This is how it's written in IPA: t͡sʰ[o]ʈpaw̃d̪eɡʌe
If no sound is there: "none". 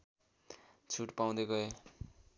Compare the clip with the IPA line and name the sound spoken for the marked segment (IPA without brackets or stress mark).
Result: u